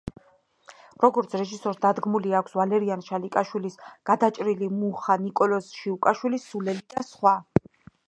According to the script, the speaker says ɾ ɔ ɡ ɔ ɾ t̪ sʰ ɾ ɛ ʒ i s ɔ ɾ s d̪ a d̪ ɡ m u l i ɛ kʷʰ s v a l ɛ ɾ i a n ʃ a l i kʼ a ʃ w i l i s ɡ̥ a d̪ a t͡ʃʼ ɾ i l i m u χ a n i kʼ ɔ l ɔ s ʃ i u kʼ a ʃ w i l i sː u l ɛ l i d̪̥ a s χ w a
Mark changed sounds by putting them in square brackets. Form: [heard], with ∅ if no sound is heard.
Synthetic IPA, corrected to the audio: ɾ ɔ ɡ ɔ ɾ t̪ sʰ ɾ ɛ ʒ i s ɔ ɾ s d̪ a d̪ ɡ m u l i [a] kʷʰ s v a l ɛ ɾ i a n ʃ a l i kʼ a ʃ w i l i s ɡ̥ a d̪ a t͡ʃʼ ɾ i l i m u χ a n i kʼ ɔ l ɔ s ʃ i u kʼ a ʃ w i l i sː u l ɛ l i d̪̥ a s χ w a